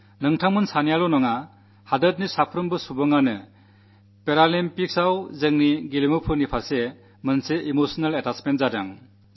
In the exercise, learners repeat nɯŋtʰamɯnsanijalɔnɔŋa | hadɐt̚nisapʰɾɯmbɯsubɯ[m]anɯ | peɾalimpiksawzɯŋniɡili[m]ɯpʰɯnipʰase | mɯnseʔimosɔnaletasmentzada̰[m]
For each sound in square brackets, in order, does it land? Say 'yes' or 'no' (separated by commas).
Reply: no, yes, no